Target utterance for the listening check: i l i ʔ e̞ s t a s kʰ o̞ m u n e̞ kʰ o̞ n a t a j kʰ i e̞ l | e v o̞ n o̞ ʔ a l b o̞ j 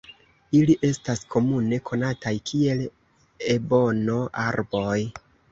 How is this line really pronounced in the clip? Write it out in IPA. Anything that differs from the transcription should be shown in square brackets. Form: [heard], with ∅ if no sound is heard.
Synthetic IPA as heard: i l i ʔ e̞ s t a s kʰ o̞ m u n e̞ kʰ o̞ n a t a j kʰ i e̞ l | e [b] o̞ n o̞ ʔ a [ɾ] b o̞ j

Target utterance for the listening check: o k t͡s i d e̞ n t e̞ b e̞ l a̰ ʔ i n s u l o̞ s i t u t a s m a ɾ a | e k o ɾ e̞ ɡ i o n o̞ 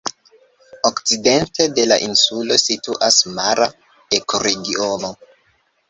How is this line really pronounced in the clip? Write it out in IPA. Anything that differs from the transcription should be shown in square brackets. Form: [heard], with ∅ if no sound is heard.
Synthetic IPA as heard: o k t͡s i d e̞ n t e̞ [d] e̞ l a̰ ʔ i n s u l o̞ s i t u [ʔ] a s m a ɾ a | e k o ɾ e̞ ɡ i o n o̞

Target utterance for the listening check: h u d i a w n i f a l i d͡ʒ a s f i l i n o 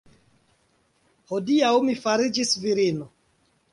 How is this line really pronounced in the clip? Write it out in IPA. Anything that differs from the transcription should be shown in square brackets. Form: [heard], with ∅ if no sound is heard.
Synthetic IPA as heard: h [o] d i a w [m] i f a [ɾ] i d͡ʒ [i] s [v] i [ɾ] i n o

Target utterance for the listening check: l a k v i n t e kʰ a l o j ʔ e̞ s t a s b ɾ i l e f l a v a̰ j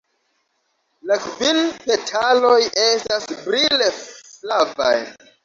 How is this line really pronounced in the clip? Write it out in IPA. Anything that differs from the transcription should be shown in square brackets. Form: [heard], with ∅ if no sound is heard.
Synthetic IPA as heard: l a k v i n [p] e [tʰ] a l o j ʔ e̞ s t a s b ɾ i l e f l a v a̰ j

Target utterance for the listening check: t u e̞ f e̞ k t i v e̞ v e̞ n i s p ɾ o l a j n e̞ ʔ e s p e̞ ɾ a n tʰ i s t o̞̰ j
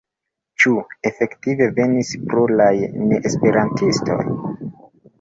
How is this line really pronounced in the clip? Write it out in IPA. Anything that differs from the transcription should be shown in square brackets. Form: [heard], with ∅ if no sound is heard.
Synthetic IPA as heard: [t͡ʃ] u e̞ f e̞ k t i v e̞ v e̞ n i s p ɾ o l a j n e̞ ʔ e s p e̞ ɾ a n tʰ i s t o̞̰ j

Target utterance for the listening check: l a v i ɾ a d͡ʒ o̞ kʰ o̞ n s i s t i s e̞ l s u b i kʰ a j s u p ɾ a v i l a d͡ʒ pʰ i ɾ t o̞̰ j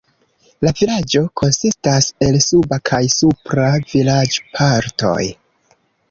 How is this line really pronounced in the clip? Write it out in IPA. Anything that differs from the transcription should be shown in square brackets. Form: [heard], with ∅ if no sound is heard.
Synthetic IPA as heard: l a v i [l] a d͡ʒ o̞ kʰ o̞ n s i s t [a] s e̞ l s u b [a] kʰ a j s u p ɾ a v i l a d͡ʒ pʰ [a] ɾ t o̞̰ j

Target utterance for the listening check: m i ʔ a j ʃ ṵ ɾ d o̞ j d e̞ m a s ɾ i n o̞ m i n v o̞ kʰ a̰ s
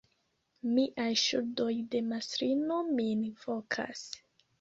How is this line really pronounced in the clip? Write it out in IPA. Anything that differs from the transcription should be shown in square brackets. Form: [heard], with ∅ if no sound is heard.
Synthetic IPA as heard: m i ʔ a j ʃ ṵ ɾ d o̞ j d e̞ m a s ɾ i n o̞ m i n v o̞ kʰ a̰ s

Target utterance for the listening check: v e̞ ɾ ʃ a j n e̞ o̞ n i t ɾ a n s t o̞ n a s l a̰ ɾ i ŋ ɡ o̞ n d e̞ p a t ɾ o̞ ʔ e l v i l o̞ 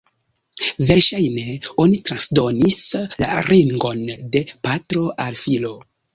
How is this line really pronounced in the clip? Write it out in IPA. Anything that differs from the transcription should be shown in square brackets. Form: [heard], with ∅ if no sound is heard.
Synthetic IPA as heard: v e̞ ɾ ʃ a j n e̞ o̞ n i t ɾ a n s [d] o̞ n [i] s l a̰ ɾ i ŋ ɡ o̞ n d e̞ p a t ɾ o̞ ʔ [a] l [f] i l o̞

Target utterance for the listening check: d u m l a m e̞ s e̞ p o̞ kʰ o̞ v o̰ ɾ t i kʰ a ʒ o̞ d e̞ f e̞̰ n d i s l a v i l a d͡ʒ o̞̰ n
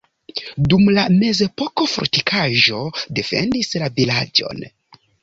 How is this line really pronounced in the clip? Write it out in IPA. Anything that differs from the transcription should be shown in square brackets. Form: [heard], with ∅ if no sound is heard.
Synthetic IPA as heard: d u m l a m e̞ [z] e̞ p o̞ [k] o̞ [f] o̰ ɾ t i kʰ a ʒ o̞ d e̞ f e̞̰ n d i s l a v i l a d͡ʒ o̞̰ n

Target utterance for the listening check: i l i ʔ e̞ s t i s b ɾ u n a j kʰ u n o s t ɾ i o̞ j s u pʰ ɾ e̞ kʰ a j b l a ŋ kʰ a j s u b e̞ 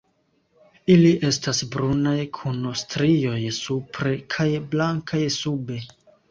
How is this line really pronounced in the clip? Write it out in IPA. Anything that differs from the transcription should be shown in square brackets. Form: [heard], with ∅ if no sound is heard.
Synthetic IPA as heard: i l i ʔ e̞ s t [a] s b ɾ u n a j kʰ u n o s t ɾ i o̞ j s u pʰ ɾ e̞ kʰ a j b l a ŋ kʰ a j s u b e̞

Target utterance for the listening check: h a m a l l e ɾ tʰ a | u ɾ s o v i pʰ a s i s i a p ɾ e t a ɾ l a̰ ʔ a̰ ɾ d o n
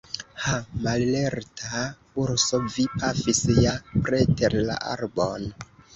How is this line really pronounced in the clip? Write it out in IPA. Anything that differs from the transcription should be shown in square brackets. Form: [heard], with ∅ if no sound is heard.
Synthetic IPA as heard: h a m a l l e ɾ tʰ a | u ɾ s o v i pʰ a [f] i s [j] a p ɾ e t [e] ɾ l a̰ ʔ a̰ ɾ [b] o n

